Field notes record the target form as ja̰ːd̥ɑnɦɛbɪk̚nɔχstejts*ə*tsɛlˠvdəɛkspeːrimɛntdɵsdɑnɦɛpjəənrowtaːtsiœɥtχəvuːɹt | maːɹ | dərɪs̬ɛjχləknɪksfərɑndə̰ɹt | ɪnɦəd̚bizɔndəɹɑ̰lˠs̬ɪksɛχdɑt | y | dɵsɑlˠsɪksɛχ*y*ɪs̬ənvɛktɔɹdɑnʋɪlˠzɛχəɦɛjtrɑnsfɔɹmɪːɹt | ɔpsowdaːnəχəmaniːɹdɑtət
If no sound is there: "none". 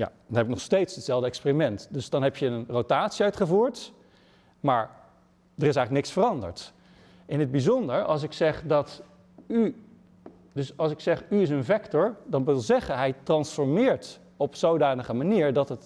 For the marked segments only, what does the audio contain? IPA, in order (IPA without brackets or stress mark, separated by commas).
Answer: ə, y